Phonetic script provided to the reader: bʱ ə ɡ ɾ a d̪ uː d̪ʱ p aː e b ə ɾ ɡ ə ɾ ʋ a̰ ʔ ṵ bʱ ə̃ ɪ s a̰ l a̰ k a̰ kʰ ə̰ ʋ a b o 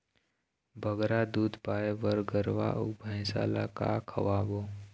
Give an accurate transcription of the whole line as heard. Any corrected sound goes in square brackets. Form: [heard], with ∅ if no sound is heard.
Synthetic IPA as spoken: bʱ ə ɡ ɾ a d̪ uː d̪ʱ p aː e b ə ɾ ɡ ə ɾ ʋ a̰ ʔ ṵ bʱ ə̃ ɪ s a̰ l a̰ k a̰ kʰ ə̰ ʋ a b o